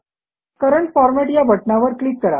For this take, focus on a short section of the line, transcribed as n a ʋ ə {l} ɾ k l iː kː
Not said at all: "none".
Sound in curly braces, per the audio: none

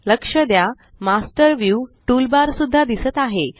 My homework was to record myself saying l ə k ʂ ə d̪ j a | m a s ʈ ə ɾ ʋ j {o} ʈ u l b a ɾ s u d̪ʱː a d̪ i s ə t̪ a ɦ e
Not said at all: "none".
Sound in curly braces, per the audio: u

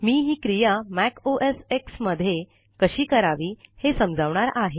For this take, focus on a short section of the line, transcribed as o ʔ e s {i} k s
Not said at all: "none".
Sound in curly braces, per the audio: e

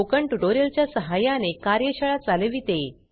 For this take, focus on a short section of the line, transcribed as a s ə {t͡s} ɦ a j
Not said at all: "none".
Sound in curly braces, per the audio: none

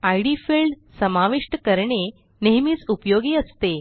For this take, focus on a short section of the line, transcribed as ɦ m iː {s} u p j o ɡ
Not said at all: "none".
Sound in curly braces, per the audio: t͡s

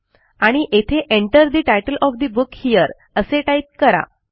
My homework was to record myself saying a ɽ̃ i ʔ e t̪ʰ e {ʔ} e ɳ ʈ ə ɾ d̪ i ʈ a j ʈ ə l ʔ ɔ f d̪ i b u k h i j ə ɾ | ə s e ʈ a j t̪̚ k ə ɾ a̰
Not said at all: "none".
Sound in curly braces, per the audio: ʔ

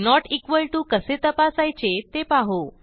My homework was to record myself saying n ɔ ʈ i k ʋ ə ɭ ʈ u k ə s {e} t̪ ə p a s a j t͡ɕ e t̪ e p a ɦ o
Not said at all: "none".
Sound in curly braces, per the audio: e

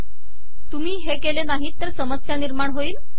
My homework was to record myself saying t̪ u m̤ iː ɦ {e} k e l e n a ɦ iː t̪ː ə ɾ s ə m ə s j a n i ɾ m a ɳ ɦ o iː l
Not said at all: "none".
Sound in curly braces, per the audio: e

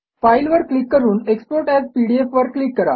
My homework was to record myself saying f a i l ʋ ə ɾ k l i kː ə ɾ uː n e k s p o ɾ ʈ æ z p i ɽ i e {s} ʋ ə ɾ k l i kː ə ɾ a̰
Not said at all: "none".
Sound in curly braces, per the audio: f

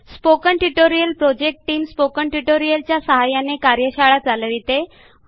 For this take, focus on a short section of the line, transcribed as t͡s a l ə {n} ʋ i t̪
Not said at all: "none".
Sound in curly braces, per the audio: none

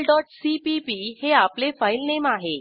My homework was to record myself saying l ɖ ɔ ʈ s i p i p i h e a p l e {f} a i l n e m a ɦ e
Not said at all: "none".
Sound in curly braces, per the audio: f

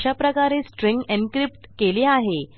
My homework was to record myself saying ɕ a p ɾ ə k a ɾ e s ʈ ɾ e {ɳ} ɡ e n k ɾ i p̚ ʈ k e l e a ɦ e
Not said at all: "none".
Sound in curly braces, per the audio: ŋ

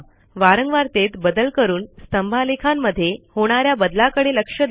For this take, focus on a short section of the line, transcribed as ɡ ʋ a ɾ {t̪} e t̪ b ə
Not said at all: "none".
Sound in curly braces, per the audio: t̪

